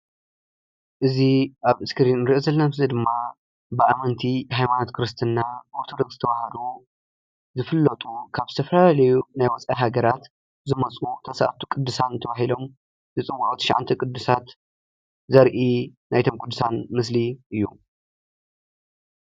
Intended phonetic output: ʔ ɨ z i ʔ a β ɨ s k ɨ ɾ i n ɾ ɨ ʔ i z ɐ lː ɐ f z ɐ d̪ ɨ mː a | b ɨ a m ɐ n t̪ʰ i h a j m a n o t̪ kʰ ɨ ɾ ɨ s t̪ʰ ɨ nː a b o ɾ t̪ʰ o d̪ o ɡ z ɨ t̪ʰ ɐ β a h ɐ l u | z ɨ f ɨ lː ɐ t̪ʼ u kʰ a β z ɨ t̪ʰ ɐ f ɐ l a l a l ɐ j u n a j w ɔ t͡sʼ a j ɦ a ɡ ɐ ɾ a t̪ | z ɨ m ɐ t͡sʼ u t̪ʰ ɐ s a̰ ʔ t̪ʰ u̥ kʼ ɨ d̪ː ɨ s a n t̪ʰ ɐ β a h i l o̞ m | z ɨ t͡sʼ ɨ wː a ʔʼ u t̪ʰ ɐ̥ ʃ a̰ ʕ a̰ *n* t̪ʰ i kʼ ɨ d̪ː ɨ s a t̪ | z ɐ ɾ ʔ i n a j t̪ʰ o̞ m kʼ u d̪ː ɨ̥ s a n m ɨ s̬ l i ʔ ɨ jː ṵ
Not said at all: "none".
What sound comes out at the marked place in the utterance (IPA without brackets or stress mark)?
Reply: n